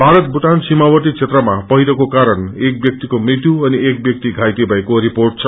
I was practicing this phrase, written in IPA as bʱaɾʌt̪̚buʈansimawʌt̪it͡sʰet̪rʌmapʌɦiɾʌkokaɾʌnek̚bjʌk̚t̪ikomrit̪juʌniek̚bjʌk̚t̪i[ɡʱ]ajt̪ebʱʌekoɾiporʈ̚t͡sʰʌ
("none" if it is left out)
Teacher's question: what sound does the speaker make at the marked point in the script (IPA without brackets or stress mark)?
ɡʱ